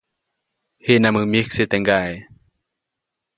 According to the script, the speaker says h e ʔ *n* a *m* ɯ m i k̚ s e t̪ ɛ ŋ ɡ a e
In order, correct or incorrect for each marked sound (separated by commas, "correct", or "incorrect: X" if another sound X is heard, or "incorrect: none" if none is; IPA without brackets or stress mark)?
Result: correct, correct